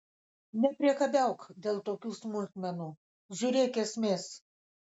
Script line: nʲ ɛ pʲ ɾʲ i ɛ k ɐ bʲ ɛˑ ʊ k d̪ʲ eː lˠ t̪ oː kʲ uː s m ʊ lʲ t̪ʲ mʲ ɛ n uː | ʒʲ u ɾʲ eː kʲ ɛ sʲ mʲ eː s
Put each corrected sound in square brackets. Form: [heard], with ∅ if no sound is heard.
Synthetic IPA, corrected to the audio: nʲ ɛ pʲ ɾʲ i ɛ k ɐ bʲ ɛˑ ʊ k d̪ʲ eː lˠ t̪ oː kʲ uː s m ʊ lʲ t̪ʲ mʲ ɛ n uː | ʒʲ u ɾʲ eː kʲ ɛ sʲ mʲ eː s